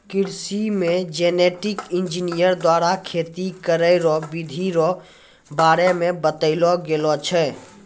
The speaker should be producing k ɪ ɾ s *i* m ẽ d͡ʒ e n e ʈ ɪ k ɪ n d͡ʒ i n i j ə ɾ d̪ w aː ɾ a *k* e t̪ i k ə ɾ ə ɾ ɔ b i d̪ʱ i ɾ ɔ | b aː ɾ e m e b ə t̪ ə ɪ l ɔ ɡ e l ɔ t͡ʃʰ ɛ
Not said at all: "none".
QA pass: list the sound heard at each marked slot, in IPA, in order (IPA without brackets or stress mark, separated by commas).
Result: i, kʰ